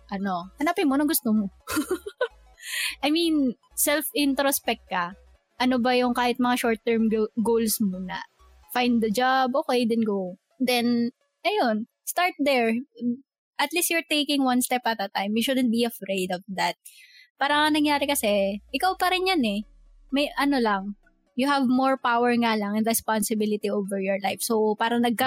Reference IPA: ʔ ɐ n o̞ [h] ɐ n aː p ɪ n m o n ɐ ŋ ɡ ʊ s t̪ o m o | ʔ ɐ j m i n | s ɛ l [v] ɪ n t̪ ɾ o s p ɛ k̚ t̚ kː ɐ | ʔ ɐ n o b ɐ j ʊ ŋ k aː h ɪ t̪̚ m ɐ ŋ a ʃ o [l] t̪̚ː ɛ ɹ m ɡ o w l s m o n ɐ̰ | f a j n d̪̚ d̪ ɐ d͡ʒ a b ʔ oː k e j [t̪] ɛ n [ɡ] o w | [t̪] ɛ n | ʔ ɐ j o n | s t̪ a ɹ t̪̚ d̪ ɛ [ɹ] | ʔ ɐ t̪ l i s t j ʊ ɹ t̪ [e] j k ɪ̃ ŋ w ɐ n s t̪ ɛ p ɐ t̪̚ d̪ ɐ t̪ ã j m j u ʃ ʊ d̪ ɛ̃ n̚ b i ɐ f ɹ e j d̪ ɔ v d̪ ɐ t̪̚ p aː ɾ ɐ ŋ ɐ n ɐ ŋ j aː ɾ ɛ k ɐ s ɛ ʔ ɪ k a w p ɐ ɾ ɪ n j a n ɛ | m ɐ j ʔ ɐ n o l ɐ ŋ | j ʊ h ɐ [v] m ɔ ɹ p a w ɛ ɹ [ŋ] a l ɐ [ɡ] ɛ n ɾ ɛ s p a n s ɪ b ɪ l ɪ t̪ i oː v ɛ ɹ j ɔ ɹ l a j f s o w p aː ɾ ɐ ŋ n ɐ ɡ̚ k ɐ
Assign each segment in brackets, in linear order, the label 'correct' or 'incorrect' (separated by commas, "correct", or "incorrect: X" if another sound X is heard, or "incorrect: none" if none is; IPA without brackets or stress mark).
correct, incorrect: f, incorrect: ɹ, incorrect: d̪, correct, incorrect: d̪, correct, correct, correct, correct, incorrect: ŋ